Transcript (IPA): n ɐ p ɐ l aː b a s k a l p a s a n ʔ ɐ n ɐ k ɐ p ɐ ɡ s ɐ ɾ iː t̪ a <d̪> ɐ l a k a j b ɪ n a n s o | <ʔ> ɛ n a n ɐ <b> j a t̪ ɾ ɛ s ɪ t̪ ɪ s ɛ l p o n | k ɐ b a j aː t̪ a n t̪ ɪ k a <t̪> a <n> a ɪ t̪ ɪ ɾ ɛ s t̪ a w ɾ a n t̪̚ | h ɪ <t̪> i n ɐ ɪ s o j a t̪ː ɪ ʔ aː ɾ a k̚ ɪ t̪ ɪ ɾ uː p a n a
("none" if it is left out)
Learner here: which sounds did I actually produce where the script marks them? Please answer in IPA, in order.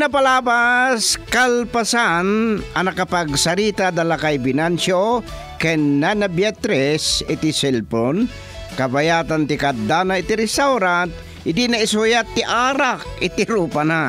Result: d̪, k, b, d̪, n, d̪

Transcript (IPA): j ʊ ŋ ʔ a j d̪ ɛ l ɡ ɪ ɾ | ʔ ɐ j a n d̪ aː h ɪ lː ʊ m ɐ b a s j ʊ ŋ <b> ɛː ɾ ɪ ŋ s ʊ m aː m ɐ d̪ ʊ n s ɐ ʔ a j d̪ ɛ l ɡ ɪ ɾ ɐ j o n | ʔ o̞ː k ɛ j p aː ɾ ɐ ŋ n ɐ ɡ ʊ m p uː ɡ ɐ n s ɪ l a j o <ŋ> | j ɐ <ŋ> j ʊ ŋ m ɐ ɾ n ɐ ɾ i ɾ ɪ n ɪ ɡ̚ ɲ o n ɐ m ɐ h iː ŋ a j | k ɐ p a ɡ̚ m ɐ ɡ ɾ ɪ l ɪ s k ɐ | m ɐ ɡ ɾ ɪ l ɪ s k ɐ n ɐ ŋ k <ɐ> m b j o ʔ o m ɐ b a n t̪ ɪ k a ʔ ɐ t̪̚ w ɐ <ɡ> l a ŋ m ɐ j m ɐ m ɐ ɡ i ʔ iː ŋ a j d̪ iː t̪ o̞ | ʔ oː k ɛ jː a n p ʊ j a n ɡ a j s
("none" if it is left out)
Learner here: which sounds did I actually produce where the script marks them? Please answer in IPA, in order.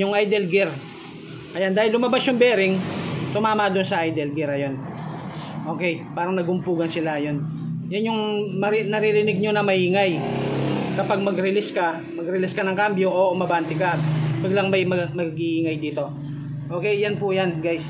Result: b, n, n, a, ɡ

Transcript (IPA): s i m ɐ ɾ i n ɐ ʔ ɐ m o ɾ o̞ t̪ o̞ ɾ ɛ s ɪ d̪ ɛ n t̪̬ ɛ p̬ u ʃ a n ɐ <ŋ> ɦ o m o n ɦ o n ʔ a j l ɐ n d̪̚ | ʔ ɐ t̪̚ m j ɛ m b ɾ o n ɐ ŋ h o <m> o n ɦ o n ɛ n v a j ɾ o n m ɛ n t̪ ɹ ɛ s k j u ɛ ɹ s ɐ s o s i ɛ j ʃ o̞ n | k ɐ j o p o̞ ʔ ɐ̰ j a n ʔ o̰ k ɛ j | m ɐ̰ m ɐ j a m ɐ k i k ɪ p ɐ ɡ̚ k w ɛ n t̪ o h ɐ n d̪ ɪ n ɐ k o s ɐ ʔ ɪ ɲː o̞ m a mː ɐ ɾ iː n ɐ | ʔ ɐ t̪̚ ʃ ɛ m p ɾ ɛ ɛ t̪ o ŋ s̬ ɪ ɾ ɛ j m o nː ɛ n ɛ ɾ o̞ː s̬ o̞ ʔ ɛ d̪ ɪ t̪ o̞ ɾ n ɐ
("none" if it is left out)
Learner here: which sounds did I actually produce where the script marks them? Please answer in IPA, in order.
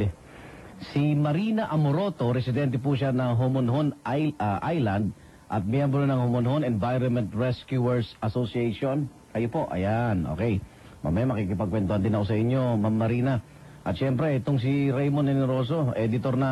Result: ŋ, m

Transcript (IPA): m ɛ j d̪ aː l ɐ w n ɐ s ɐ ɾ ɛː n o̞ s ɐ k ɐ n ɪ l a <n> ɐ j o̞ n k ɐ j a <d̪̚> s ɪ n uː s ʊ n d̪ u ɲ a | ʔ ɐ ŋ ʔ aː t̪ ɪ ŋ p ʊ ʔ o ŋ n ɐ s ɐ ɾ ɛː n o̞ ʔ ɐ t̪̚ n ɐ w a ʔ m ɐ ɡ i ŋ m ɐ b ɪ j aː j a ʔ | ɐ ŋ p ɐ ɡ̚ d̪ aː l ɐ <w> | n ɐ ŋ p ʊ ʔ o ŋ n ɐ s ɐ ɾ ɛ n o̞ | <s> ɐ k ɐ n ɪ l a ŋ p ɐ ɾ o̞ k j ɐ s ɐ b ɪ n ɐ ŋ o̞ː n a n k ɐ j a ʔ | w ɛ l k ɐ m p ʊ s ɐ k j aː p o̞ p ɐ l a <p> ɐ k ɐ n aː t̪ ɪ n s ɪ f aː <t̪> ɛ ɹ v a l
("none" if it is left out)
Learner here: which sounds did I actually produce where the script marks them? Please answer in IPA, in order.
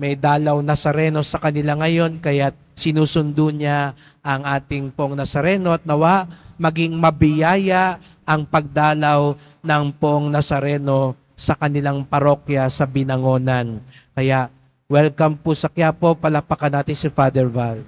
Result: ŋ, t̪̚, w, s, p, d̪

